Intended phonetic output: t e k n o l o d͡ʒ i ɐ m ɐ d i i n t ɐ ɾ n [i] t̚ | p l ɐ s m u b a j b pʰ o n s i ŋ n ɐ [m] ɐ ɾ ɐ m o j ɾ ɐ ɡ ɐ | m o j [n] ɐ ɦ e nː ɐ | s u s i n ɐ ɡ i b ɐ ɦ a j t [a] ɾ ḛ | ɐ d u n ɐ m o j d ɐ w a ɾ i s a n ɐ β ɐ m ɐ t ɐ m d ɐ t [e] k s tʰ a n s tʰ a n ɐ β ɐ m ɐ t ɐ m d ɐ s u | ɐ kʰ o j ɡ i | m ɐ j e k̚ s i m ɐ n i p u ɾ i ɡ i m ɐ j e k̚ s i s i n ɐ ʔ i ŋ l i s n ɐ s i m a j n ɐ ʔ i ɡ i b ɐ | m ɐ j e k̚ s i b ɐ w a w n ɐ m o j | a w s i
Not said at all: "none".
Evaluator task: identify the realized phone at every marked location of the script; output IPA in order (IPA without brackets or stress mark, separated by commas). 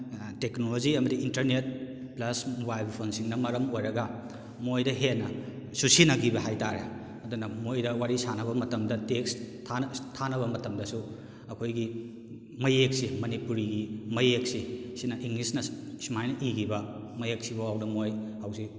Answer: e, m, d, a, e